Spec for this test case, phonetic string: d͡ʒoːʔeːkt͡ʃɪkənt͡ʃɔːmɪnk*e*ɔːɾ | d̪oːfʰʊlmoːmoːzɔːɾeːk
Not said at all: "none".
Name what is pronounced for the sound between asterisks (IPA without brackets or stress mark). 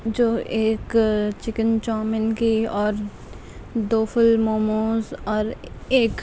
i